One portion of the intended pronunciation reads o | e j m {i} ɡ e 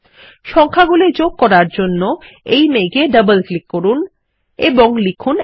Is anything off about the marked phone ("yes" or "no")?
yes